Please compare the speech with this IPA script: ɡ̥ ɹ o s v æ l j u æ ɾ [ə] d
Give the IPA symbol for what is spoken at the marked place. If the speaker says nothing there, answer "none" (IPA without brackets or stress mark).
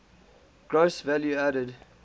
ə